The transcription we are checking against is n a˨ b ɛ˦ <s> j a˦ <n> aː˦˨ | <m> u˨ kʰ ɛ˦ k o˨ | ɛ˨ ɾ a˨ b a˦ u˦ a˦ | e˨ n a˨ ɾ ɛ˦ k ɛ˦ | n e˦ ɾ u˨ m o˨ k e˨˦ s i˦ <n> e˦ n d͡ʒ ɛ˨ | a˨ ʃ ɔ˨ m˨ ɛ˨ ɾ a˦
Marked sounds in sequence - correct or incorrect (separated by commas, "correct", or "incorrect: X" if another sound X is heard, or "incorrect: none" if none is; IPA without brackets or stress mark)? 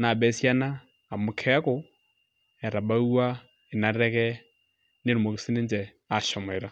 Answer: correct, correct, correct, correct